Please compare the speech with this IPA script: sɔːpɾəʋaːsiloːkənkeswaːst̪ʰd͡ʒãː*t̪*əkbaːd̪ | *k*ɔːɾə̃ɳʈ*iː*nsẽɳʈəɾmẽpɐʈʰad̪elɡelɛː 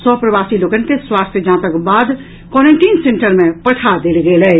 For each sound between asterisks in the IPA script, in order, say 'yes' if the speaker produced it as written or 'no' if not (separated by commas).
yes, yes, yes